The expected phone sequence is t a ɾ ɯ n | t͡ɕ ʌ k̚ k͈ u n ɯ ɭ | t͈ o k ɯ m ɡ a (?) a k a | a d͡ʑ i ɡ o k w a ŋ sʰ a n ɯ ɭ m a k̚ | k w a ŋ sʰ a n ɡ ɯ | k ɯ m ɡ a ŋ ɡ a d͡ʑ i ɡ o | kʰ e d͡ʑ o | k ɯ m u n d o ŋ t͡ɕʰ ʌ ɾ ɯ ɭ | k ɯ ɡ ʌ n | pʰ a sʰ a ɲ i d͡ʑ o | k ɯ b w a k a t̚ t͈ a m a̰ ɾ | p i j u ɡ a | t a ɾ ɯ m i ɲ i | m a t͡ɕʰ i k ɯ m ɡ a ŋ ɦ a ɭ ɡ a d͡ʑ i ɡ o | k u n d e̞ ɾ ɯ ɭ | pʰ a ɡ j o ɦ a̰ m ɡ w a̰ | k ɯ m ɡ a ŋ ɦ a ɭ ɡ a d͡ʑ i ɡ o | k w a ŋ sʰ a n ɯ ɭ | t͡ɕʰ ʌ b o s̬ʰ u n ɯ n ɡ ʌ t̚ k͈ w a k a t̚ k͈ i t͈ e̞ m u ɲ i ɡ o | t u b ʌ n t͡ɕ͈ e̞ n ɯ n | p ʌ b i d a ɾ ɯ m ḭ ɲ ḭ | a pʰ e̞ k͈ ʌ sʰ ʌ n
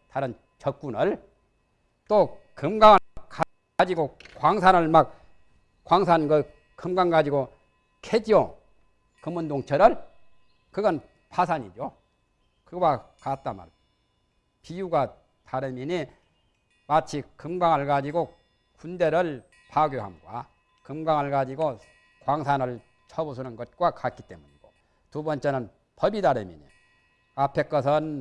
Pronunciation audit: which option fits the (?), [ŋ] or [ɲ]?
ŋ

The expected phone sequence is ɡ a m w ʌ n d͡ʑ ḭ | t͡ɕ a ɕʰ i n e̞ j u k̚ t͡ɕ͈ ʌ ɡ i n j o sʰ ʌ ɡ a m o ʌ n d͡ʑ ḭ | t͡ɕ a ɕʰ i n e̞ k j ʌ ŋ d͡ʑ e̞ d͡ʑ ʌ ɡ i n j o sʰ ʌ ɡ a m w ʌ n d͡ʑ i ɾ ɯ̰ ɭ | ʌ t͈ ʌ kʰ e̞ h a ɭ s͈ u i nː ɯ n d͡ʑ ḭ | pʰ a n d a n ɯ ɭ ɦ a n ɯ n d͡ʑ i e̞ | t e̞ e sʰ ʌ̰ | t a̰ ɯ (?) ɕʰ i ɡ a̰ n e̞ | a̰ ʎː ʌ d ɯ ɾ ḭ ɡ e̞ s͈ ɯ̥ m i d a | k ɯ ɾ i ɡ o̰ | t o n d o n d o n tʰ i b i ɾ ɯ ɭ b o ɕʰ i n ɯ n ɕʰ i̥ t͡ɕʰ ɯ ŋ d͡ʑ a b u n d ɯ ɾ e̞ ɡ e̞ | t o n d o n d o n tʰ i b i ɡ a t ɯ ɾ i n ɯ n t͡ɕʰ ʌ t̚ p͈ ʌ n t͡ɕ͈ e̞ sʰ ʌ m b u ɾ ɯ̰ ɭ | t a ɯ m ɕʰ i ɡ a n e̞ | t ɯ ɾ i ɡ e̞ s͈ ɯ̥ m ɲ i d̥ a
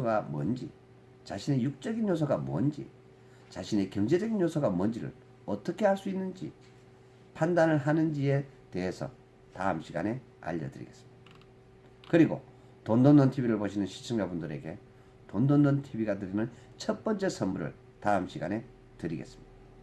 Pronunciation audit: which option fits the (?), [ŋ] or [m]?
m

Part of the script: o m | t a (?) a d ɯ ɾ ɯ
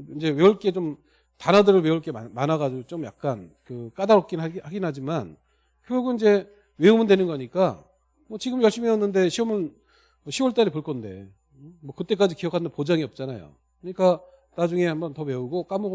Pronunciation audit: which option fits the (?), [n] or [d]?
n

